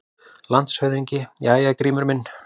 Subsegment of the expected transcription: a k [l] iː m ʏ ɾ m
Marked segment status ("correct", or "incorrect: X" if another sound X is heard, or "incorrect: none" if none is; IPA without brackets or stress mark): incorrect: ɾ